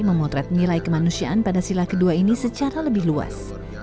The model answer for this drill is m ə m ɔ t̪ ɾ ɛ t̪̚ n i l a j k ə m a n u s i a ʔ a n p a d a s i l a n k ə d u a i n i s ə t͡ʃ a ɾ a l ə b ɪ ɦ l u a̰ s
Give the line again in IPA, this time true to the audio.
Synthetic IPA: m ə m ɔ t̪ ɾ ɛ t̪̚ n i l a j k ə m a n u s i a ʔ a n p a d a s i l a k ə d u a i n i s ə t͡ʃ a ɾ a l ə b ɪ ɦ l u a̰ s